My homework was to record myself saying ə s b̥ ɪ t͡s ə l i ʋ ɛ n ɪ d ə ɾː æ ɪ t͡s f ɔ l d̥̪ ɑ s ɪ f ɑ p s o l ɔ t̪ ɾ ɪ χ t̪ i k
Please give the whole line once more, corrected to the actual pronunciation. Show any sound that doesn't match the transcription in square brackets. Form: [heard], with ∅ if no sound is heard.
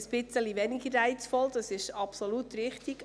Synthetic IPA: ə s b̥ ɪ t͡s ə l i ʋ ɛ n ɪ [ɡ] ə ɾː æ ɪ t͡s f ɔ l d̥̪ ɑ s ɪ [ʃ] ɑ p s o l [u] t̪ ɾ ɪ χ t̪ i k